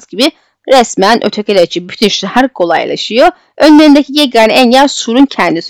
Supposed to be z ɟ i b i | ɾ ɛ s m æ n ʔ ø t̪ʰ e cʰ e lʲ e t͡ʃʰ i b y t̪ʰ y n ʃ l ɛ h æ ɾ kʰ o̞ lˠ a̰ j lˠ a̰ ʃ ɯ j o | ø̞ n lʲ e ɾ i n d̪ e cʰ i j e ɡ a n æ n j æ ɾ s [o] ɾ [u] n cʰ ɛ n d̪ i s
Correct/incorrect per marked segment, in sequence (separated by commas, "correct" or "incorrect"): incorrect, correct